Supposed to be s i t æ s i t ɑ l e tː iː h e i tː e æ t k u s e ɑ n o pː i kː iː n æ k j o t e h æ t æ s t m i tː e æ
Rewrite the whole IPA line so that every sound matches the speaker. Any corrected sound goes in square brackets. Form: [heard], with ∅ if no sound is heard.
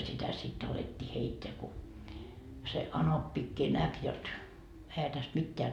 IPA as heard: s i t æ s i t ɑ l e tː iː h e i tː e æ [∅] k u s e ɑ n o pː i kː iː n æ k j o t e h æ t æ s t m i tː e æ